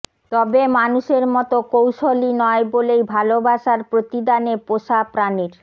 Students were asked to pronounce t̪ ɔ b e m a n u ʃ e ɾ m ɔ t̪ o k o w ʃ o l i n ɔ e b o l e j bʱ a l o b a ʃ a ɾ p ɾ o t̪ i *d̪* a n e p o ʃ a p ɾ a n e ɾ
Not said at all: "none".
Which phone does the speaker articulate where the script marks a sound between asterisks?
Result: d̪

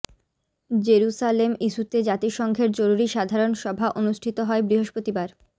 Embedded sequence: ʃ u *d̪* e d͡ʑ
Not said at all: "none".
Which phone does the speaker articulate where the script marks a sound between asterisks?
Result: t̪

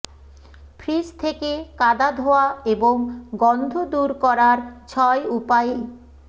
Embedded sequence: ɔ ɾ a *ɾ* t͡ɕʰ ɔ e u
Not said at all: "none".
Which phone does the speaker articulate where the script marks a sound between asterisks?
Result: ɾ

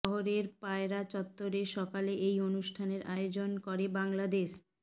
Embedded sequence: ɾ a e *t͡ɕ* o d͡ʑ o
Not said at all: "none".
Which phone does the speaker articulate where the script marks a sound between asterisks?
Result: none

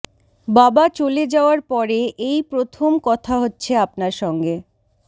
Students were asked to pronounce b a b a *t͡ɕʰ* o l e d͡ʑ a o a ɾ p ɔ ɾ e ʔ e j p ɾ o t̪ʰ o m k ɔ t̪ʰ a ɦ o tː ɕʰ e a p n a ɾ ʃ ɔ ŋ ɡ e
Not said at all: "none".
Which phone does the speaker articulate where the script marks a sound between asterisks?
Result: t͡ɕ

